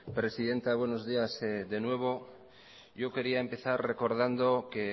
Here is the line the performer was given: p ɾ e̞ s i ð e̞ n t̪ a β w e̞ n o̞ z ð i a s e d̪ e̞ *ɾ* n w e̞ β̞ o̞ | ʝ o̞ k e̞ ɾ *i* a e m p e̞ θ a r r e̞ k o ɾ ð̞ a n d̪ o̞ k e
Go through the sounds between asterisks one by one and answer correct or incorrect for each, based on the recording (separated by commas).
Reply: incorrect, correct